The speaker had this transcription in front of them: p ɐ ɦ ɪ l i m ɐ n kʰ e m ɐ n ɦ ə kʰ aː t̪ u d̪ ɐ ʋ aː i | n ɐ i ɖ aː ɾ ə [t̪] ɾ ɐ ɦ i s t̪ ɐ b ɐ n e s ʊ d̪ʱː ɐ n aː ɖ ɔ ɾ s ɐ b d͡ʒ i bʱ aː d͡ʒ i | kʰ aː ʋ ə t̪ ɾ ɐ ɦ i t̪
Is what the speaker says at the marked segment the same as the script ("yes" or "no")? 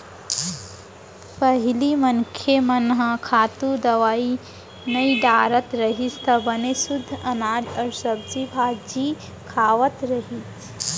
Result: yes